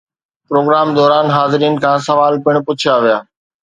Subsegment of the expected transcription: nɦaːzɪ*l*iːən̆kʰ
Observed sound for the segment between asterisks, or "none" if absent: ɾ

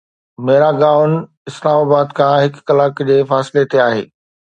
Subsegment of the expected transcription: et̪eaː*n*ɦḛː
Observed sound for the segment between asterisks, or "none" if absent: none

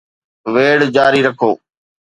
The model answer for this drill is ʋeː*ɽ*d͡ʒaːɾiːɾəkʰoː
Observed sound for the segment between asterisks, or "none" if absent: ɽ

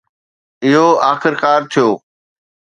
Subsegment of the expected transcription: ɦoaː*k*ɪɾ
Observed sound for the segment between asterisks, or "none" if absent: x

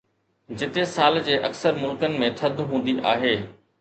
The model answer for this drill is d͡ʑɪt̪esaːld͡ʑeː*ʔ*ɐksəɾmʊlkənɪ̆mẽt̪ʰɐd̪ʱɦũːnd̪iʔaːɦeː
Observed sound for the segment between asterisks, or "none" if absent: ʔ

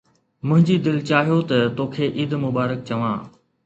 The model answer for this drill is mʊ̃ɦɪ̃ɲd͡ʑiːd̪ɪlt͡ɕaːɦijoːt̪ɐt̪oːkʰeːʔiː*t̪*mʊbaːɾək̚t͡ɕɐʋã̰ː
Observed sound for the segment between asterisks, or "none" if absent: d̪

